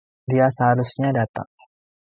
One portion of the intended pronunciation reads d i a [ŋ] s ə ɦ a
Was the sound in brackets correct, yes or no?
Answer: no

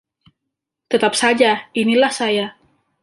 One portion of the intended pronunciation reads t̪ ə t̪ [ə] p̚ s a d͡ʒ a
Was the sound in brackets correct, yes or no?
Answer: no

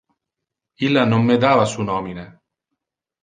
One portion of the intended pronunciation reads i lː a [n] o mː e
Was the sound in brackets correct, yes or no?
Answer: yes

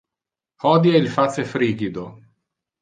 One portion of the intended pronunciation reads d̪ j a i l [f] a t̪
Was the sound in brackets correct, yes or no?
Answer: yes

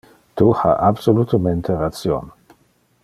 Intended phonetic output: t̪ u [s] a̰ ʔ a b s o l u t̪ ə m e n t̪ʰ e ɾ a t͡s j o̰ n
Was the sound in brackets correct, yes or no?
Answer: no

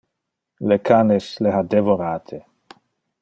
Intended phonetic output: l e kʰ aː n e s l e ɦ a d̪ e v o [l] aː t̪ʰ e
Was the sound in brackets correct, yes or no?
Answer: no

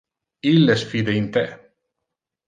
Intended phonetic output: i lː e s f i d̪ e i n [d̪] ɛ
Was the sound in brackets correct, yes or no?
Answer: no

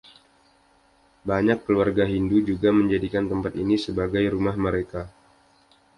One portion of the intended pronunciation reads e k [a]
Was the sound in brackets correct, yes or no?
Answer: yes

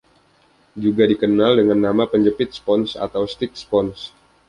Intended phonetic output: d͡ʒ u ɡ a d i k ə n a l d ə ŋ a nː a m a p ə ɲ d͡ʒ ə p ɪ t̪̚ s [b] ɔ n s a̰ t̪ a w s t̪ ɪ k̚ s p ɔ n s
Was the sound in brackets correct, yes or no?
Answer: no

